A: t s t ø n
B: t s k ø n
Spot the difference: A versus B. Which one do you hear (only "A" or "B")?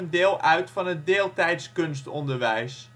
B